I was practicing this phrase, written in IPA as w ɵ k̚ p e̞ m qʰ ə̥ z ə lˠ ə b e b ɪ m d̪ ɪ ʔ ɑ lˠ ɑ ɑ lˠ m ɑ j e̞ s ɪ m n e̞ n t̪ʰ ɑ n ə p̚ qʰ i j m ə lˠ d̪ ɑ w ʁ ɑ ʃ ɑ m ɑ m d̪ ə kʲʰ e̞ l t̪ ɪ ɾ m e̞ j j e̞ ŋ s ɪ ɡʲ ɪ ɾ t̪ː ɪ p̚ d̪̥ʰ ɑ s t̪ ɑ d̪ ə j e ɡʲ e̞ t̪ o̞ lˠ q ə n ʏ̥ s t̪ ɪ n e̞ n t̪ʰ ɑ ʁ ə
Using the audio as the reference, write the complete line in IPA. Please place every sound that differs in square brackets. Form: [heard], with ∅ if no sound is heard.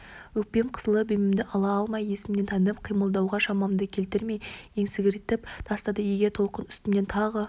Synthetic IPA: w ɵ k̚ p e̞ m qʰ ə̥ z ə lˠ ə b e [m] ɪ m d̪ ɪ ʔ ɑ lˠ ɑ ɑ lˠ m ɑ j e̞ s ɪ m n e̞ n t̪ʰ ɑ n ə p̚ qʰ i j m ə lˠ d̪ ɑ w ʁ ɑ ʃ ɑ m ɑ m d̪ ə kʲʰ e̞ l t̪ ɪ ɾ m e̞ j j e̞ ŋ s ɪ ɡʲ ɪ ɾ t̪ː ɪ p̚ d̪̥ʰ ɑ s t̪ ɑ d̪ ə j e ɡʲ e̞ [t̪ʰ] o̞ lˠ q ə n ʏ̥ s t̪ ɪ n e̞ n t̪ʰ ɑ ʁ ə